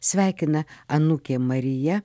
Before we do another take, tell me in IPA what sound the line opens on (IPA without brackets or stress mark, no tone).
sʲ